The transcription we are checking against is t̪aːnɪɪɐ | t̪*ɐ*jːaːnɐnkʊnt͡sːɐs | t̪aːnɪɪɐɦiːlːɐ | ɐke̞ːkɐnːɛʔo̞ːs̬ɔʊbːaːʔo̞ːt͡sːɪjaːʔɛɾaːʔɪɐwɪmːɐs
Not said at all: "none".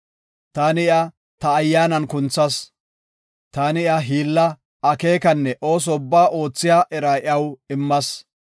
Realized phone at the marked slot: ɐː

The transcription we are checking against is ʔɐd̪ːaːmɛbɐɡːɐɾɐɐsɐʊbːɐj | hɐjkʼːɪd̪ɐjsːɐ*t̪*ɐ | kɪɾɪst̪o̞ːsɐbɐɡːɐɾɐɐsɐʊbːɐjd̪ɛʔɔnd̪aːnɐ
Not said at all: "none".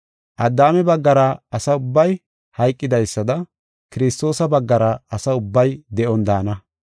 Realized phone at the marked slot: d̪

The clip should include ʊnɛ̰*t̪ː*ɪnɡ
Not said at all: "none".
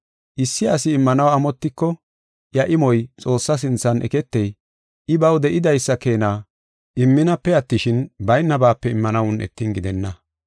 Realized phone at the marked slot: t̪ː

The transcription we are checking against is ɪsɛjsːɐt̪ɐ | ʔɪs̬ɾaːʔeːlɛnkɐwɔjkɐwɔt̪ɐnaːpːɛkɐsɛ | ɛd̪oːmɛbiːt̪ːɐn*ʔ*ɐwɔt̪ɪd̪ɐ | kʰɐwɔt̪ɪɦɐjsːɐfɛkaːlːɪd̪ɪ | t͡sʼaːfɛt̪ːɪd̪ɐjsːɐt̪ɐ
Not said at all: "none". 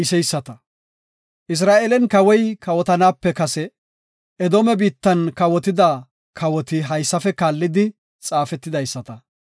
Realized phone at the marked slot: k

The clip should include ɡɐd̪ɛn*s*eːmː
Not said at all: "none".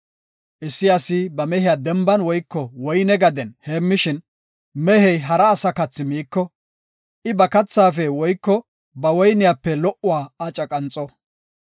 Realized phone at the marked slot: h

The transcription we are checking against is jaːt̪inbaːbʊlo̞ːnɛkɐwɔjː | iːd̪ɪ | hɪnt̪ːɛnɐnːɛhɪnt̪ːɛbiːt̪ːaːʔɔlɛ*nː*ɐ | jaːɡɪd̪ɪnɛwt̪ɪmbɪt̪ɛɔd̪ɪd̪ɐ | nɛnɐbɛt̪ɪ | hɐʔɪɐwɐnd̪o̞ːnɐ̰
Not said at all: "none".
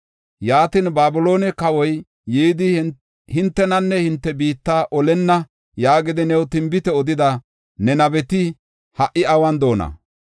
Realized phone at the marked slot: nː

